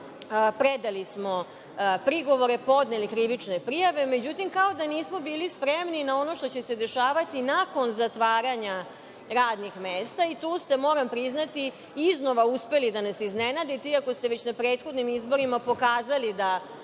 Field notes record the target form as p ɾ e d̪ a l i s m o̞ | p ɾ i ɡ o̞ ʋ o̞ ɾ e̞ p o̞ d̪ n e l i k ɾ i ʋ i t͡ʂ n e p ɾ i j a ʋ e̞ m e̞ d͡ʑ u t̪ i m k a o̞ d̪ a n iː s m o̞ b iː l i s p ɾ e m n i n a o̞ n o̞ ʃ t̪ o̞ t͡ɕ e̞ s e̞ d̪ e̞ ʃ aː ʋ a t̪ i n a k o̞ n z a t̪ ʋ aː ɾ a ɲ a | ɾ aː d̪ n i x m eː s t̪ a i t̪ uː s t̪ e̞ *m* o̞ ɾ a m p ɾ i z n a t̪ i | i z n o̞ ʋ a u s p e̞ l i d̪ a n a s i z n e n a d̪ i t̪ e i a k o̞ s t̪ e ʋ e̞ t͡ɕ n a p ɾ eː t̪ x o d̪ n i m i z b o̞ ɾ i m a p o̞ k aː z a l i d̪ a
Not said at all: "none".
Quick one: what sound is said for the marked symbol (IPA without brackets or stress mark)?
m